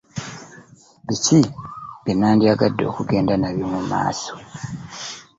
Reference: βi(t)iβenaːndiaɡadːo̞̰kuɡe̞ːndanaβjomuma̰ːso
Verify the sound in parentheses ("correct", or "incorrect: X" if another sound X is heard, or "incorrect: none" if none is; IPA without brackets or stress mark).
incorrect: c